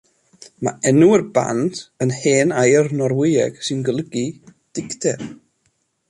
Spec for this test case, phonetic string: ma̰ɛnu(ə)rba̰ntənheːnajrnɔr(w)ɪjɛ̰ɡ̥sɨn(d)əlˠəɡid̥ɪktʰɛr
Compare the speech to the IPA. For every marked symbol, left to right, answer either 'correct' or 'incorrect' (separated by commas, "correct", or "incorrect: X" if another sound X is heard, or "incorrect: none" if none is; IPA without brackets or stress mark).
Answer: correct, correct, incorrect: ɡ